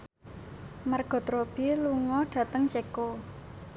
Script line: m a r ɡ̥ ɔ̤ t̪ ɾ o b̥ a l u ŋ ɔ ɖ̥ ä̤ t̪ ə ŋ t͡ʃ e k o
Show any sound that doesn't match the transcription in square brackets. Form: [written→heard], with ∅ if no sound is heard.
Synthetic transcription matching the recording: m a r ɡ̥ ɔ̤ t̪ ɾ o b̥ [a→i] l u ŋ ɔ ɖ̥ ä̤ t̪ ə ŋ t͡ʃ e k o